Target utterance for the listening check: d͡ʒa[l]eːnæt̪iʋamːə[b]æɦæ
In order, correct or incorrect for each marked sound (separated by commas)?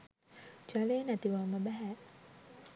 correct, correct